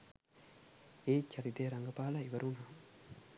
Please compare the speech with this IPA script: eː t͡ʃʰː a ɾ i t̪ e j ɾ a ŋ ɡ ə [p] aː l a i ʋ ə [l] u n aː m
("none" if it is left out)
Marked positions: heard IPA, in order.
p, ɾ

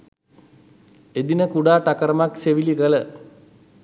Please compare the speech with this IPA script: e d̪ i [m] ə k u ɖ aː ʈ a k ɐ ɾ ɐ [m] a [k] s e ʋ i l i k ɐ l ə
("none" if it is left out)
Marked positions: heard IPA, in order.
n, m, k

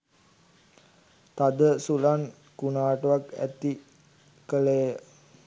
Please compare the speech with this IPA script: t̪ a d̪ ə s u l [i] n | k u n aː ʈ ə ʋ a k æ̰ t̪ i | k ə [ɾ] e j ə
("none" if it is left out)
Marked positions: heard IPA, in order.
a, l

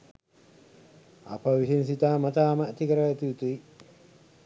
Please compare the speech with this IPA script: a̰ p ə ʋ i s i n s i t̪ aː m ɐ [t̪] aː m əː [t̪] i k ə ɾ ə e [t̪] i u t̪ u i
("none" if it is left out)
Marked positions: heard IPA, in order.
t̪, t̪, t̪

